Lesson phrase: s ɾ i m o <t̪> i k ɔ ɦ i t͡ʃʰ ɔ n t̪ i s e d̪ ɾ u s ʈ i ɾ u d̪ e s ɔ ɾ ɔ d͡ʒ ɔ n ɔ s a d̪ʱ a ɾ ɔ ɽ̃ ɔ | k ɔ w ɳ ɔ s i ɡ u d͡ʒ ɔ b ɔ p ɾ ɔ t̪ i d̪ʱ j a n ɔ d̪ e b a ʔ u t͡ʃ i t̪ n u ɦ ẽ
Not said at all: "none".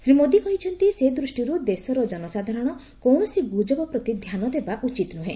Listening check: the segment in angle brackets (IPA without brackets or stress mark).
d̪